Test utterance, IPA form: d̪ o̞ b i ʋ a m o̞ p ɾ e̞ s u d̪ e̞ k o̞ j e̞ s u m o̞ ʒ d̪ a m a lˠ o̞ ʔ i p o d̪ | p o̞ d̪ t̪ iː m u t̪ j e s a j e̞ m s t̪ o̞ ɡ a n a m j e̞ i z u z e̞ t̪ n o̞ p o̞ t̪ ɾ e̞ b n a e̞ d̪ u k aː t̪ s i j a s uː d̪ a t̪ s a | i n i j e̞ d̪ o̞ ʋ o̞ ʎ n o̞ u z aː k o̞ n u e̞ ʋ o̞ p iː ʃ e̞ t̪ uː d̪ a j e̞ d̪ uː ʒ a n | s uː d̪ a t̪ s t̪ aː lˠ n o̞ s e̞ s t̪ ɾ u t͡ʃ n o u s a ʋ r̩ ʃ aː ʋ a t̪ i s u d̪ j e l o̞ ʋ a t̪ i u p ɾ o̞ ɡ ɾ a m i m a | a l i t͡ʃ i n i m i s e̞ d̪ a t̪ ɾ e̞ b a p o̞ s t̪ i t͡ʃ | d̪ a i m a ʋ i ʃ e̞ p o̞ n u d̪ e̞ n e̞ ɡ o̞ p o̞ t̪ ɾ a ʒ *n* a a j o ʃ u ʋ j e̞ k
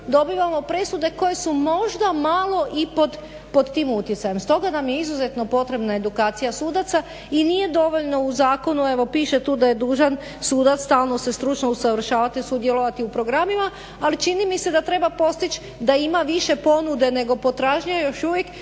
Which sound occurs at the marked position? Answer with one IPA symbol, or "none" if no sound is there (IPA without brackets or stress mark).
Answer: ɲ